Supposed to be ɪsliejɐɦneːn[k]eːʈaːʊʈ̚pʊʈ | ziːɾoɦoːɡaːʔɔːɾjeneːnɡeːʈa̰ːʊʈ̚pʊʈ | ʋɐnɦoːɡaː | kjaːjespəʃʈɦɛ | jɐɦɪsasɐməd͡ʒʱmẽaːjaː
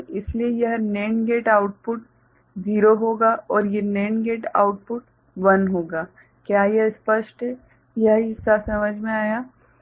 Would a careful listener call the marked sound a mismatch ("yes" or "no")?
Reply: yes